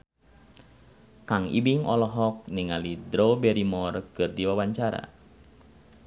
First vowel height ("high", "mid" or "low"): low